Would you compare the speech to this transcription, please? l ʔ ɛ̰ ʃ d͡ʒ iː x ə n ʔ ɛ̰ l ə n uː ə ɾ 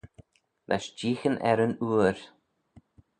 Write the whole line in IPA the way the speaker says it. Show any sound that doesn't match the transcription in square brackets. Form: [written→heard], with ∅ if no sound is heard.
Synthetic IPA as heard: l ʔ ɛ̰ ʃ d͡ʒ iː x ə n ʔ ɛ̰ [l→ɾ] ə n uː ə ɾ

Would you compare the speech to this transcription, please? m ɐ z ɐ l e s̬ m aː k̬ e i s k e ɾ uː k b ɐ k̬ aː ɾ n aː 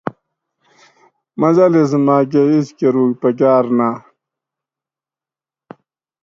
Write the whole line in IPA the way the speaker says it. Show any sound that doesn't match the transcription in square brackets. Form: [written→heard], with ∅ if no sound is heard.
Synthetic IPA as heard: m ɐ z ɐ l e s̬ m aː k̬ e i s k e ɾ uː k [b→p] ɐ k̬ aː ɾ n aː

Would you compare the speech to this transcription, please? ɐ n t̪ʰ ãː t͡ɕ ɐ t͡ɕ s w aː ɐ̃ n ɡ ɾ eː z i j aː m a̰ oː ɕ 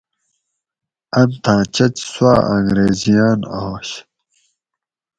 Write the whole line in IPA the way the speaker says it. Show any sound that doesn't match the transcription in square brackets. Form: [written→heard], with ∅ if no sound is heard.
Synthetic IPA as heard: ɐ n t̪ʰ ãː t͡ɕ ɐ t͡ɕ s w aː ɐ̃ [n→ŋ] ɡ ɾ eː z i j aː [m→n] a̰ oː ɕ

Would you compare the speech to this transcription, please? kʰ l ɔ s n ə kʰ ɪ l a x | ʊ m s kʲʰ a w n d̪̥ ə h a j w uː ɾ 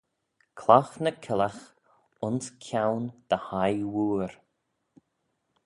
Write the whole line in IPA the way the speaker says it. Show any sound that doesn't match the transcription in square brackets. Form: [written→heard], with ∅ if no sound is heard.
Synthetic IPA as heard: kʰ l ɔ [s→x] n ə kʰ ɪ l a x | ʊ [m→n] s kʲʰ a w n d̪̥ ə h a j w uː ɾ

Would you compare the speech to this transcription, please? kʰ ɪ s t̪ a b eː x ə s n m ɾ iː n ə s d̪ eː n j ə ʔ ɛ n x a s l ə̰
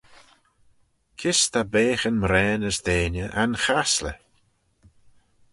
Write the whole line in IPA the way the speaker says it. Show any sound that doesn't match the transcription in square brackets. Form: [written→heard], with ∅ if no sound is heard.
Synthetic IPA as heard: kʰ ɪ s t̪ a b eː x ə [s→∅] n m ɾ [iː→ɛː] n ə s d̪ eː n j ə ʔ [ɛ→a] n x a s l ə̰

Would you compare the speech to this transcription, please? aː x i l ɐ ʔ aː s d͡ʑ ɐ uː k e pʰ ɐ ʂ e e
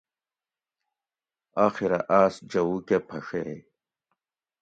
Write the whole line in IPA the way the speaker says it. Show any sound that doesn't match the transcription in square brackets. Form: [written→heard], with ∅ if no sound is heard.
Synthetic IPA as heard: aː x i [l→ɾ] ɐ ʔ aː s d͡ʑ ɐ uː k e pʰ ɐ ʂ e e

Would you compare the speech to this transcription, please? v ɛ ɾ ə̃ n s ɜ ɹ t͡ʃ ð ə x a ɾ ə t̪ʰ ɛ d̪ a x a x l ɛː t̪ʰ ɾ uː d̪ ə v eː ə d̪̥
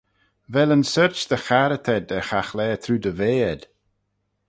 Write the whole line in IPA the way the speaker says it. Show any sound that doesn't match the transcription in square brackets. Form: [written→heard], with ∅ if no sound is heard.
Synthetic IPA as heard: v ɛ [ɾ→l] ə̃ n s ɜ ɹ t͡ʃ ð ə x a ɾ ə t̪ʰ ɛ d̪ [a→ə] x a x l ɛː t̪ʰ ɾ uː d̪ ə v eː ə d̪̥

